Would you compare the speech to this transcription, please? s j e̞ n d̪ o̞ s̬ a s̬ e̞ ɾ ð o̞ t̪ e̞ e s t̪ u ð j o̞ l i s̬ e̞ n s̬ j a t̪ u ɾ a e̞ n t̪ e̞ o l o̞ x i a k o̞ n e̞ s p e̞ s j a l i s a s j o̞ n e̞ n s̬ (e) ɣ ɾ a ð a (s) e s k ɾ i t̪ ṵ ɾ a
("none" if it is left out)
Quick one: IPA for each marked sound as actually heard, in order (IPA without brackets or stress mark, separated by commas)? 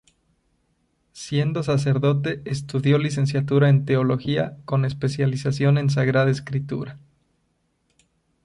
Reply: a, none